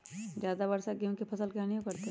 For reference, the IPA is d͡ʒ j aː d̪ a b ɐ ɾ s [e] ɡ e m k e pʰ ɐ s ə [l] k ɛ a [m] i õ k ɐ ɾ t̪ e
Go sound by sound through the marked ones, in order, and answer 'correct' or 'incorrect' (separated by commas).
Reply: incorrect, correct, incorrect